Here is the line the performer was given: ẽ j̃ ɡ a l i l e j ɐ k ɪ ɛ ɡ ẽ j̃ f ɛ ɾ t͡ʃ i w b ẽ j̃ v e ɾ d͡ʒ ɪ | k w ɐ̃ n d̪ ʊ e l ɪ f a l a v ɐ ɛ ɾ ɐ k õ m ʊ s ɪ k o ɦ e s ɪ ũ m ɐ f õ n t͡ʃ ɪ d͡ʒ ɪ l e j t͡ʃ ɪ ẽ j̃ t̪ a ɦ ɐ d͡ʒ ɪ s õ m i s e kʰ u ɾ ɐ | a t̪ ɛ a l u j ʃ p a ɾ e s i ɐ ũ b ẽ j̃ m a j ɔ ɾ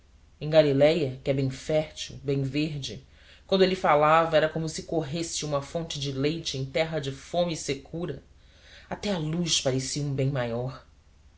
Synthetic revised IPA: ẽ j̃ ɡ a l i l ɛ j ɐ k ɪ ɛ b ẽ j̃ f ɛ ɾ t͡ʃ i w b ẽ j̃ v e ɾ d͡ʒ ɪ | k w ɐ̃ n d̪ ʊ e l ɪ f a l a v ɐ ɛ ɾ ɐ k õ m ʊ s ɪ k o ɦ e s ɪ ũ m ɐ f õ n t͡ʃ ɪ d͡ʒ ɪ l e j t͡ʃ ɪ ẽ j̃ t̪ ɛ ɦ ɐ d͡ʒ ɪ f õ m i s e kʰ u ɾ ɐ | a t̪ ɛ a l u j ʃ p a ɾ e s i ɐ ũ b ẽ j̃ m a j ɔ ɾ

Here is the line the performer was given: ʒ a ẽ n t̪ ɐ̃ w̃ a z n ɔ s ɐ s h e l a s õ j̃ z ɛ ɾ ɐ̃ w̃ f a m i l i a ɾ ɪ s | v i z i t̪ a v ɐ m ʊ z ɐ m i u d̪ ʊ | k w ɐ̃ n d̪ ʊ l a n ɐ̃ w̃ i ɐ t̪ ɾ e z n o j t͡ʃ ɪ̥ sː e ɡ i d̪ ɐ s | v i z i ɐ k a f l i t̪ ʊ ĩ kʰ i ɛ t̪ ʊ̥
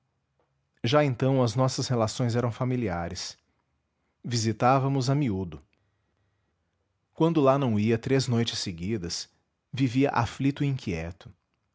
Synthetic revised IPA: ʒ a ẽ n t̪ ɐ̃ w̃ ɐ z n ɔ s ɐ s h e l a s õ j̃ z ɛ ɾ ɐ̃ w̃ f a m i l i a ɾ ɪ s | v i z i t̪ a v ɐ m ʊ z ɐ m i u d̪ ʊ | k w ɐ̃ n d̪ ʊ l a n ɐ̃ w̃ i ɐ t̪ ɾ e z n o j t͡ʃ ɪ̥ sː e ɡ i d̪ ɐ s | v i v i ɐ ʔ a f l i t̪ ʊ ĩ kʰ i ɛ t̪ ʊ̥

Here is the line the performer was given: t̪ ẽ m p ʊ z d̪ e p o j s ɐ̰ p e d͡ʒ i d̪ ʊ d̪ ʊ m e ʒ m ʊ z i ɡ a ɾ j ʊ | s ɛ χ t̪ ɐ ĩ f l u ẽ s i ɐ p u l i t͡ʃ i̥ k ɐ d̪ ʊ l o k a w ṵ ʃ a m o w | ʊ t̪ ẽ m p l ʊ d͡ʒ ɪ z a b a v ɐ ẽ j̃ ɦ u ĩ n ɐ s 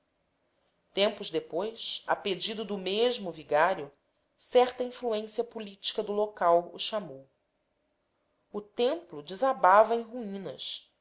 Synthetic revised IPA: t̪ ẽ m p ʊ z d̪ e p o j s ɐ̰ p e d͡ʒ i d̪ ʊ d̪ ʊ m e ʒ m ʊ v i ɡ a ɾ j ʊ | s ɛ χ t̪ ɐ ĩ f l u ẽ s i ɐ p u l i t͡ʃ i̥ k ɐ d̪ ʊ l o k a w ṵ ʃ a m o w | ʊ t̪ ẽ m p l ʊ d͡ʒ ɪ z a b a v ɐ ẽ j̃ ɦ u ĩ n ɐ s

